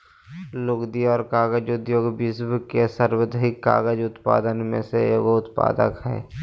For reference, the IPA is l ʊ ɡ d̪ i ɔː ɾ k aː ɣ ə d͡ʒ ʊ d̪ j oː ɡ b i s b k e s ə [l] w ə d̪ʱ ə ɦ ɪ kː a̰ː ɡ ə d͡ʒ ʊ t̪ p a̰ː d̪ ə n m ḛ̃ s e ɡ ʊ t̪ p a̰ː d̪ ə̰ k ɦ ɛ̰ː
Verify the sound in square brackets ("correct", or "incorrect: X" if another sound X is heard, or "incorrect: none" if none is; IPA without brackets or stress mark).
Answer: incorrect: ɾ